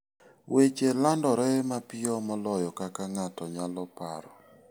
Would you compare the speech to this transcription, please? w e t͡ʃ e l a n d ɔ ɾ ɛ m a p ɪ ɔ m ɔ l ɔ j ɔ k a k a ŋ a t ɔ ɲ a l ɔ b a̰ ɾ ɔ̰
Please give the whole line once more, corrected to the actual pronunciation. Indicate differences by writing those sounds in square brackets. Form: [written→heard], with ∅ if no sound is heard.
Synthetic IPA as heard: w e t͡ʃ e l a n d ɔ ɾ ɛ m a p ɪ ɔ m ɔ l ɔ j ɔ k a k a ŋ a t ɔ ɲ a l ɔ [b→p] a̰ ɾ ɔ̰